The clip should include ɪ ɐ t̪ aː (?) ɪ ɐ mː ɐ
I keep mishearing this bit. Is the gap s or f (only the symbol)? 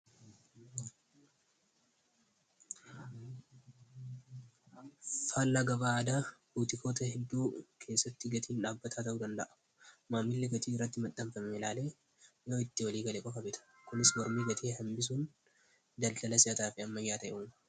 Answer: f